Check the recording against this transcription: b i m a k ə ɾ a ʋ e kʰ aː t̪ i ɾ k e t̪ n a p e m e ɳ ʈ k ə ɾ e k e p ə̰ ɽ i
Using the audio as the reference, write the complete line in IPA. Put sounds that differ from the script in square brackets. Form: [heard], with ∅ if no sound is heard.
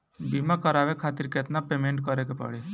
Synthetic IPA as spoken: b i m a k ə ɾ a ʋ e kʰ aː t̪ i ɾ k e t̪ n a p e m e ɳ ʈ k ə ɾ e k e p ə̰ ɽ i

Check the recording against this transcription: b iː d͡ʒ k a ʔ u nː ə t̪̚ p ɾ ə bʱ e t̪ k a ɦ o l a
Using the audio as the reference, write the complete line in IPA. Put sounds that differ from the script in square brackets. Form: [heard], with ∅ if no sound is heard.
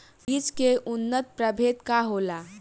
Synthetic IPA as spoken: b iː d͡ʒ k [e] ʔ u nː ə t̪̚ p ɾ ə bʱ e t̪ k a ɦ o l a

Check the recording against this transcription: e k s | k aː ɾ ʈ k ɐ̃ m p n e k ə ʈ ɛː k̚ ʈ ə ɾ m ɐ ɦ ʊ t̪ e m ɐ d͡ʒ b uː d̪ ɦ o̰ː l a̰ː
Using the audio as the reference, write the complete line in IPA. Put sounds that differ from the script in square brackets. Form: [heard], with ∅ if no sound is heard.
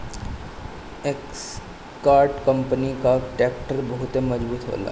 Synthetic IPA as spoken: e k s | k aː ɾ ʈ k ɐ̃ m p n [i] k [a] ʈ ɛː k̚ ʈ ə ɾ [b] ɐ ɦ ʊ t̪ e m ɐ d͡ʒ b uː [t̪] ɦ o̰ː l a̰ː

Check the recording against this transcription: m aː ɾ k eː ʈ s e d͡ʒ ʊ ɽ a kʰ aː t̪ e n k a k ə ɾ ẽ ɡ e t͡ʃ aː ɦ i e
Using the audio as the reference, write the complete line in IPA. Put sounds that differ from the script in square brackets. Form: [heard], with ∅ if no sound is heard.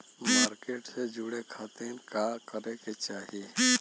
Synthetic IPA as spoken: m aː ɾ k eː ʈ s e d͡ʒ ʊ ɽ [e] kʰ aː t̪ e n k a k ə ɾ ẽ [k] e t͡ʃ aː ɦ i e

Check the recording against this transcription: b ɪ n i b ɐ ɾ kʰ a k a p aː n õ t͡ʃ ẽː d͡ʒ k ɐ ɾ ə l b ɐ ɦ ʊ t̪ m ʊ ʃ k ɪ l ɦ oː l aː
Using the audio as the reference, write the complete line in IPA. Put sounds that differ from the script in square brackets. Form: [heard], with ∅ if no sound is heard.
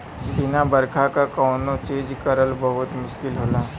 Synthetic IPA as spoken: b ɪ n [a] b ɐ ɾ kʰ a k a [k] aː n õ t͡ʃ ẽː d͡ʒ k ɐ ɾ ə l b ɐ ɦ ʊ t̪ m ʊ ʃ k ɪ l ɦ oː l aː

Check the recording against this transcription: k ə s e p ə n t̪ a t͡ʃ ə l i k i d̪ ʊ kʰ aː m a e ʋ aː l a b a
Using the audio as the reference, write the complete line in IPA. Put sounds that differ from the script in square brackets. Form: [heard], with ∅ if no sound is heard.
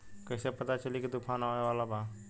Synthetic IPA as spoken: k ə s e p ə [∅] t̪ a t͡ʃ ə l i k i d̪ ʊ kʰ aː [n] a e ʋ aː l a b a

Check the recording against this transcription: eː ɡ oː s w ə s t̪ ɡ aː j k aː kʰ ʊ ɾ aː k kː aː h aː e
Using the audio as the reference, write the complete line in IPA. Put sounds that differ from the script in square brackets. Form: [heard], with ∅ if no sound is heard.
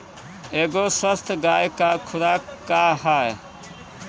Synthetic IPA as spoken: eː ɡ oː s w ə s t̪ ɡ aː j k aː kʰ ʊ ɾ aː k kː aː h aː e

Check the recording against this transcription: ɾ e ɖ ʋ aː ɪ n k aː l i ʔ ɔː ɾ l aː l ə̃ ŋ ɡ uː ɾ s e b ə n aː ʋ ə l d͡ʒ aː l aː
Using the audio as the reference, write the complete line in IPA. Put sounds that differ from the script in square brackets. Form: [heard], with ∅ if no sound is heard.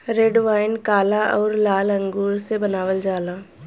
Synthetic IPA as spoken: ɾ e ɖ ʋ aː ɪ n k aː l [a] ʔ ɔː ɾ l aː l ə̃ ŋ ɡ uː ɾ s e b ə n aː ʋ ə l d͡ʒ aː l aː

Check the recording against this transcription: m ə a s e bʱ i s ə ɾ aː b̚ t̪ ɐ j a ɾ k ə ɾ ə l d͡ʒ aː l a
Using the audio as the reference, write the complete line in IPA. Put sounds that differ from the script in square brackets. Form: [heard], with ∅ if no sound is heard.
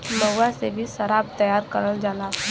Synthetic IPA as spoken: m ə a s e bʱ i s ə ɾ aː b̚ t̪ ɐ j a ɾ k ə ɾ ə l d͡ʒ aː l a

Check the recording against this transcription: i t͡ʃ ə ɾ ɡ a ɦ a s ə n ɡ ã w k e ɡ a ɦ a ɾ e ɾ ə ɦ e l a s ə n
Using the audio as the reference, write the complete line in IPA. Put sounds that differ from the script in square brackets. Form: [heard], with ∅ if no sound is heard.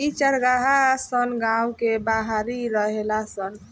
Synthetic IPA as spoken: i t͡ʃ ə ɾ ɡ a ɦ a s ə n ɡ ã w k e [b] a ɦ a ɾ [i] ɾ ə ɦ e l a s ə n

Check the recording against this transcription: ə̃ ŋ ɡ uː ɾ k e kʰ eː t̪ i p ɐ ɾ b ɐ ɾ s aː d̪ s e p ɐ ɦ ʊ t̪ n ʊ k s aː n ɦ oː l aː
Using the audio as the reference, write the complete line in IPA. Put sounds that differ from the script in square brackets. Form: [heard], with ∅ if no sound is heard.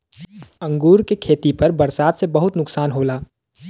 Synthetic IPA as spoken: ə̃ ŋ ɡ uː ɾ k e kʰ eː t̪ i p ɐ ɾ b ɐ ɾ s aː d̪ s e [b] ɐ ɦ ʊ t̪ n ʊ k s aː n ɦ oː l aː

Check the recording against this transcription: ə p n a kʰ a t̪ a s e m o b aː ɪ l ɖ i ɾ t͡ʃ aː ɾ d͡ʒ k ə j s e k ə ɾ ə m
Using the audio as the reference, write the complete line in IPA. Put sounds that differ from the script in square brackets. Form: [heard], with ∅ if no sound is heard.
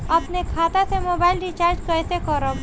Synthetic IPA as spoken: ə p n [e] kʰ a t̪ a s e m o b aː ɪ l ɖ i [∅] t͡ʃ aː ɾ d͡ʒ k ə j s e k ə ɾ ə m

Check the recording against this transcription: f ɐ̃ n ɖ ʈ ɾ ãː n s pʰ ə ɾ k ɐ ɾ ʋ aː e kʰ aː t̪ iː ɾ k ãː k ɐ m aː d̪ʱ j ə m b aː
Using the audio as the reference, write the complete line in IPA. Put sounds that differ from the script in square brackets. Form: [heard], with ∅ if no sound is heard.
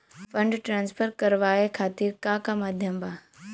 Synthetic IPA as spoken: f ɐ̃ [ɳ] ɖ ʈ ɾ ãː n s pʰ ə ɾ k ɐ ɾ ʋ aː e kʰ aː t̪ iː ɾ k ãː k [a] m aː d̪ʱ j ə m b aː

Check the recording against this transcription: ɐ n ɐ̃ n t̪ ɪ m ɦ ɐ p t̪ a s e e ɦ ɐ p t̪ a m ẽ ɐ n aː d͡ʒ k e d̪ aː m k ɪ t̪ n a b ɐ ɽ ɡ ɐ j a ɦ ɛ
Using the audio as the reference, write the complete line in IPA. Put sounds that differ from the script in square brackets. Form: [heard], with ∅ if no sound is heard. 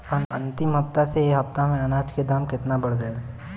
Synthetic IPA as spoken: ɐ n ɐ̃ n t̪ ɪ m ɦ ɐ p t̪ a s e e ɦ ɐ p t̪ a m ẽ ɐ n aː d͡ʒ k e d̪ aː m k ɪ t̪ n a b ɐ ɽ ɡ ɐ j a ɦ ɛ

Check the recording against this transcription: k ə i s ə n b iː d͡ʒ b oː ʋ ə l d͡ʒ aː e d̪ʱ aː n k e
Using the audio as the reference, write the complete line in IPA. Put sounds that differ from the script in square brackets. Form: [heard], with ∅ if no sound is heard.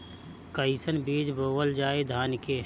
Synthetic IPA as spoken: k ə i s ə n b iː d͡ʒ b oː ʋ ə l d͡ʒ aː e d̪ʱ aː n k e

